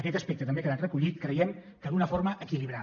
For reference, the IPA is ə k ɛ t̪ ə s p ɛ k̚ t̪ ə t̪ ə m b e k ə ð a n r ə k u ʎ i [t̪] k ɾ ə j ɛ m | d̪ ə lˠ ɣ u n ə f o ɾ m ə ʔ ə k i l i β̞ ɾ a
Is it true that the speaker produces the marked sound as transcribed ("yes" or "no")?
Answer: yes